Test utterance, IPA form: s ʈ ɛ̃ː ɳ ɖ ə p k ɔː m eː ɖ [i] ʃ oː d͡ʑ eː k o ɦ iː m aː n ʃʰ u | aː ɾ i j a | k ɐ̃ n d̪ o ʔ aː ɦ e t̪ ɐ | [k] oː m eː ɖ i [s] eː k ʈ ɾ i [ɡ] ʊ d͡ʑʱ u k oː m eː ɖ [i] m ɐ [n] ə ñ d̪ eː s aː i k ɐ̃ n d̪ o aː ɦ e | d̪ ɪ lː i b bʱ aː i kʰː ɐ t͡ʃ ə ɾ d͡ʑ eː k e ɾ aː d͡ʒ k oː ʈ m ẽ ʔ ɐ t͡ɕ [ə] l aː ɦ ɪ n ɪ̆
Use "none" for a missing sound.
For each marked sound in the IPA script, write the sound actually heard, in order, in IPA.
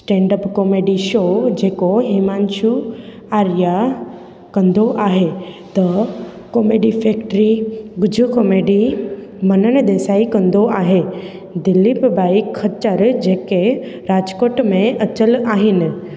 i, k, f, ɡ, i, n, ə

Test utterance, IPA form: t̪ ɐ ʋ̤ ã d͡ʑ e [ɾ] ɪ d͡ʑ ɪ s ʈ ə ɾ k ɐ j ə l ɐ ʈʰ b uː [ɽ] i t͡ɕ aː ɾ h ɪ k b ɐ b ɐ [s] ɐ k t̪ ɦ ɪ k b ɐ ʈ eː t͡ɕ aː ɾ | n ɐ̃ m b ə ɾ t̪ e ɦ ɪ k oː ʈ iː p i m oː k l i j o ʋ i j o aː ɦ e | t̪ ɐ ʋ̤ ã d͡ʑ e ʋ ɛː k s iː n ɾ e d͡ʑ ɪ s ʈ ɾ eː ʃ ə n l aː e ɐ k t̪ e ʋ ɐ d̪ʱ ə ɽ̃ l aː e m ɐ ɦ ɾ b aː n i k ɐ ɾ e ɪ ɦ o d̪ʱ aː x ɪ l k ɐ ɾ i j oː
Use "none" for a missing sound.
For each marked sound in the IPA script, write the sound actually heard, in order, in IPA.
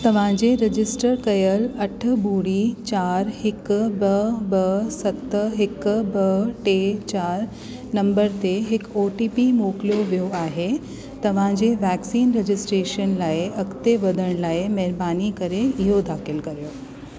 ɾ, ɽ, s

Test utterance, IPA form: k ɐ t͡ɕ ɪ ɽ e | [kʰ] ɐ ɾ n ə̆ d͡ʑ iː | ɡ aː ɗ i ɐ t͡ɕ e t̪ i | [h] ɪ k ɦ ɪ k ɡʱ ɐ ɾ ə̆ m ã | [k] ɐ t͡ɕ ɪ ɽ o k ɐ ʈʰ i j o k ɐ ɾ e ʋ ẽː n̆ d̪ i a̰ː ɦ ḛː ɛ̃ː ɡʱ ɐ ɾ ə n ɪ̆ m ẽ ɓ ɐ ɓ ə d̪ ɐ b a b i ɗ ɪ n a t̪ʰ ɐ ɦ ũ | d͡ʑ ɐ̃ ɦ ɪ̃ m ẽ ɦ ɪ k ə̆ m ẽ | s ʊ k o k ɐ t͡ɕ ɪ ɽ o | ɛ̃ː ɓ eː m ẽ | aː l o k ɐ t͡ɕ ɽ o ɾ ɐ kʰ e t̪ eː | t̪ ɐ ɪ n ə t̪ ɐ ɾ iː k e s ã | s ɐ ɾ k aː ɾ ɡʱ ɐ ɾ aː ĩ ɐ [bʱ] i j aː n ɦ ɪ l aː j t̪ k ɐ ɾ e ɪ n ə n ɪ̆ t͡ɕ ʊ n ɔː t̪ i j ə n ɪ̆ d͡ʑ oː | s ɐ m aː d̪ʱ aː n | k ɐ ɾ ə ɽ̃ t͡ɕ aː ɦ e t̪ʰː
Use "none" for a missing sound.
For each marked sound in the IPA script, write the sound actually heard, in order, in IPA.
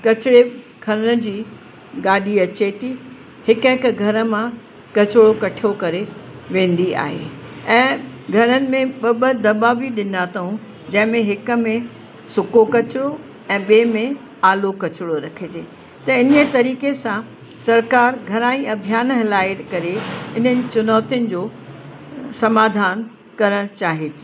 kʰ, h, k, bʱ

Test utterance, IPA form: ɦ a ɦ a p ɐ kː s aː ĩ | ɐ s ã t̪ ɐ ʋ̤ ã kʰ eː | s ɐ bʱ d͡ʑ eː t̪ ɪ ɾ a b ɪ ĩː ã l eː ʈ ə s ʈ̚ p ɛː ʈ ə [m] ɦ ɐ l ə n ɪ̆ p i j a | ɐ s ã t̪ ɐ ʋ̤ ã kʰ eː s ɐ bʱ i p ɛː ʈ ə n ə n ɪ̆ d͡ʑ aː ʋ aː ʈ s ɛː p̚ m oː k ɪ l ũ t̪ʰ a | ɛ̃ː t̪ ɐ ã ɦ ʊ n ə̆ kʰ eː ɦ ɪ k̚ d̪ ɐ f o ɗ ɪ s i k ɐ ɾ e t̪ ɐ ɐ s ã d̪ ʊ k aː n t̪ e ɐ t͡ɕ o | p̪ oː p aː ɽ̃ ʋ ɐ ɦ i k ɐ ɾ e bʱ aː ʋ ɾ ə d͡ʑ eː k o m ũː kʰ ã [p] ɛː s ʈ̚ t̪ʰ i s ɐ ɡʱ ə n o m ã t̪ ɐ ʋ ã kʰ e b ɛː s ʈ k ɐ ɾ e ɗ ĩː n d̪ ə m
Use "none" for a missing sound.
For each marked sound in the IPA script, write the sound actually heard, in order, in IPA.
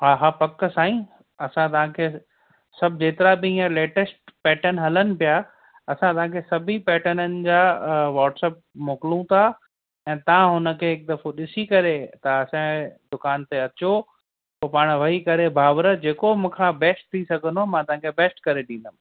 n, b

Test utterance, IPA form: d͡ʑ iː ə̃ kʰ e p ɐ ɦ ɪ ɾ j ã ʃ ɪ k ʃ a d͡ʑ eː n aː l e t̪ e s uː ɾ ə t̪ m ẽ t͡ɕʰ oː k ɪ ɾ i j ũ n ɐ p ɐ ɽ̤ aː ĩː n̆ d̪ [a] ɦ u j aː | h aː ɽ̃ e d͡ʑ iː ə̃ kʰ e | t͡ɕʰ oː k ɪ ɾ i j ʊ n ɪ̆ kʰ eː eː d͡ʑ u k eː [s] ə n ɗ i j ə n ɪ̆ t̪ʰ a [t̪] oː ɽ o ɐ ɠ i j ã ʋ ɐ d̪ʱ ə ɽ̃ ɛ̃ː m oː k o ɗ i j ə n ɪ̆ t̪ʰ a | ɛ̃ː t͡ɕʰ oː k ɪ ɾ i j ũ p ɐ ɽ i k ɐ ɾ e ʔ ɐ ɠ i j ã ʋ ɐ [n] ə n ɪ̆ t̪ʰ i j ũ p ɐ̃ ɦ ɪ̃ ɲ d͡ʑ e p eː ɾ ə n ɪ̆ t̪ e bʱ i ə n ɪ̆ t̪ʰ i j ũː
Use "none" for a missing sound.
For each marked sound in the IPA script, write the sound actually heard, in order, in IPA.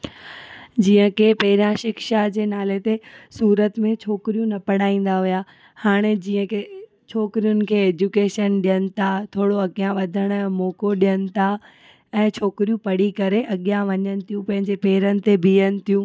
a, ʃ, t̪ʰ, ɲ

